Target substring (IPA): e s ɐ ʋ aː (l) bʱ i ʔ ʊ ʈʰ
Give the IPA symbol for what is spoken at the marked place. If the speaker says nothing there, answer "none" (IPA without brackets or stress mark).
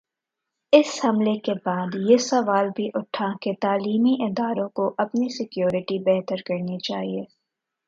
l